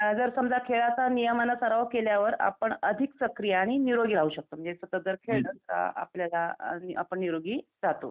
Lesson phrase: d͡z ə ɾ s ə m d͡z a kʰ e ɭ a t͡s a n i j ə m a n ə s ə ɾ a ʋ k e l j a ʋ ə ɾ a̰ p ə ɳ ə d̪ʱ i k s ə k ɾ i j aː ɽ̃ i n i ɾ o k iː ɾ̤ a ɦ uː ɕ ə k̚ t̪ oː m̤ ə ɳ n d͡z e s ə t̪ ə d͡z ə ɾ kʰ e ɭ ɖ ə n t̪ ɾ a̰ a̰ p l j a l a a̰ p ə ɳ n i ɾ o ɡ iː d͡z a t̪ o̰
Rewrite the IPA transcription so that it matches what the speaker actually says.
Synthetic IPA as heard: d͡z ə ɾ s ə m d͡z a kʰ e ɭ a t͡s a n i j ə m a n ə s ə ɾ a ʋ k e l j a ʋ ə ɾ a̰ p ə ɳ ə d̪ʱ i k s ə k ɾ i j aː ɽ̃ i n i ɾ o ɡ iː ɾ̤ a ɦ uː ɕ ə k̚ t̪ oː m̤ ə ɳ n d͡z e s ə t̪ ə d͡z ə ɾ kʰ e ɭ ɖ ə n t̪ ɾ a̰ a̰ p l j a l a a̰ p ə ɳ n i ɾ o ɡ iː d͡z a t̪ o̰